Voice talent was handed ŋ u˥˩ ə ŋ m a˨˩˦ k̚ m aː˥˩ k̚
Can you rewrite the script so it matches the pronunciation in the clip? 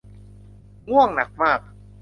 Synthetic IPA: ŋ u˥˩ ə ŋ n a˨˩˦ k̚ m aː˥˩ k̚

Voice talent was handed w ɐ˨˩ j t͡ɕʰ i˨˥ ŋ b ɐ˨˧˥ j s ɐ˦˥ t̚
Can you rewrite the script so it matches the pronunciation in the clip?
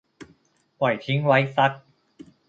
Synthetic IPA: w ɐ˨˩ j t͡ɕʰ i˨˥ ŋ w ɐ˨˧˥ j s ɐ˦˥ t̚

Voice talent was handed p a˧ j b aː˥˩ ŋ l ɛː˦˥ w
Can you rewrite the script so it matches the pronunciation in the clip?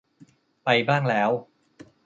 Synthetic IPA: p a˧ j b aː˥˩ ŋ l ɛː˦˥ w

